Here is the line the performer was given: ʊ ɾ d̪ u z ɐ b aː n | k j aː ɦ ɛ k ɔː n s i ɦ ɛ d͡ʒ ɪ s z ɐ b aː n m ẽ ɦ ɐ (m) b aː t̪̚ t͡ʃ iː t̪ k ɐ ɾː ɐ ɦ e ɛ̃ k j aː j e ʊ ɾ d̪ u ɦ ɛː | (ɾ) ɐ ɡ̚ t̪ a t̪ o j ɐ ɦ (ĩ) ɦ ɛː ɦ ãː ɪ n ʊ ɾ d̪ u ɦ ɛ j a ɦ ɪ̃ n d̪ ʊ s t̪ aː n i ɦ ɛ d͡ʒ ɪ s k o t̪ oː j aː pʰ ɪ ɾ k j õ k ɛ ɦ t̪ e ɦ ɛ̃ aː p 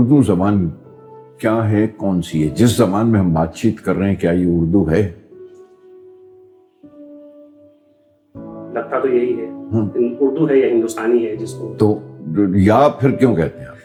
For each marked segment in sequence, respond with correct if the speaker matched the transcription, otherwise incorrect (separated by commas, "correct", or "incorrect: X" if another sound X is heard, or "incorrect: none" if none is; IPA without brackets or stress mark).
correct, incorrect: l, incorrect: i